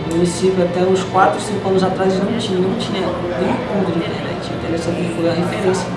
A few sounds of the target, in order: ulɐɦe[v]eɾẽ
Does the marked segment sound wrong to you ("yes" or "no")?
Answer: yes